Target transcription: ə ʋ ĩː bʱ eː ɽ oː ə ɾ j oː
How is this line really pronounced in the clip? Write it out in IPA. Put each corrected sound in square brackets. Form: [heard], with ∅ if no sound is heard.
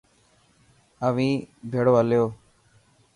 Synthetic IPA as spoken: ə ʋ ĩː bʱ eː ɽ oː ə [l] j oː